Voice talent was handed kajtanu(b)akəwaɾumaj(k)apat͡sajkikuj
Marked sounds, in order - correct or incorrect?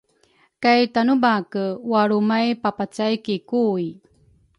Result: correct, incorrect: p

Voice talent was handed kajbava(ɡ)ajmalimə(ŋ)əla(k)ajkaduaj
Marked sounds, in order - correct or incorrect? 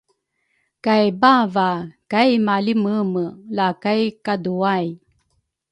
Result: incorrect: k, incorrect: m, correct

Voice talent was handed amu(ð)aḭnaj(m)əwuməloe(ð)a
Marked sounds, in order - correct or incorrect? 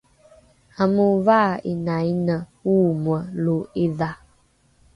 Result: incorrect: v, incorrect: n, correct

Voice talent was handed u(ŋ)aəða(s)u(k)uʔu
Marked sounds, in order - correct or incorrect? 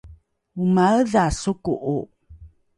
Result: incorrect: m, correct, correct

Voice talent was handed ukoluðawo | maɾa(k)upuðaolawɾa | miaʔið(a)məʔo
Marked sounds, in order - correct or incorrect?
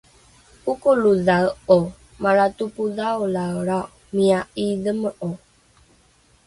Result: incorrect: t, incorrect: ə

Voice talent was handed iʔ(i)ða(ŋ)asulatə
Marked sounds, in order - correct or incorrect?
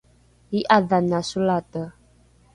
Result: incorrect: a, incorrect: n

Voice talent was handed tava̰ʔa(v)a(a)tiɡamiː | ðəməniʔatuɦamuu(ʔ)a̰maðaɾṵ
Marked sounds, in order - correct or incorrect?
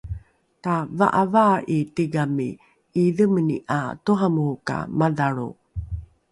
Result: correct, incorrect: i, incorrect: k

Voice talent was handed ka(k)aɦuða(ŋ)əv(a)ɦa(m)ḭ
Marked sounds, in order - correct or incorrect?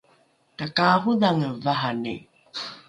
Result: correct, correct, correct, incorrect: n

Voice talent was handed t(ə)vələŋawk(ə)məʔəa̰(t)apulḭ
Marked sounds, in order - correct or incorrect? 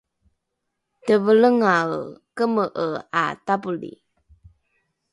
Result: correct, correct, correct

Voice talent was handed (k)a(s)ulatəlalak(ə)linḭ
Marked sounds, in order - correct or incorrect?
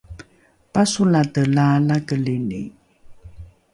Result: incorrect: p, correct, correct

